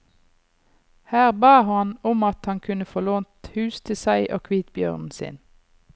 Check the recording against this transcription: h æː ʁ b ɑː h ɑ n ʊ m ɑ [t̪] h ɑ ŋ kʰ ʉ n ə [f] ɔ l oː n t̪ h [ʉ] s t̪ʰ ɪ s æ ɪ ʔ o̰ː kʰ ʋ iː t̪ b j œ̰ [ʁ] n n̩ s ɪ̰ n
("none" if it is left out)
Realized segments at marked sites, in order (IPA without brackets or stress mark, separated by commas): t̪, f, ʉː, ʁ